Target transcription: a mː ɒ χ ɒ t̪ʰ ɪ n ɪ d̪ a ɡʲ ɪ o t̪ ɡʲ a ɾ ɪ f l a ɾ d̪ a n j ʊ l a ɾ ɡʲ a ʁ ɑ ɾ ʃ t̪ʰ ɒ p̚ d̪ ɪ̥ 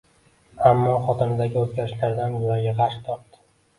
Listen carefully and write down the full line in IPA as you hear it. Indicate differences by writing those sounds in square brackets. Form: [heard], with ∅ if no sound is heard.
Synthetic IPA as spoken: a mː ɒ χ ɒ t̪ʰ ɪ n ɪ d̪ a ɡʲ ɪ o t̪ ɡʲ a ɾ ɪ [ʃ] l a ɾ d̪ a n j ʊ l a ɾ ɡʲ a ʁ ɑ ɾ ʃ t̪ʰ ɒ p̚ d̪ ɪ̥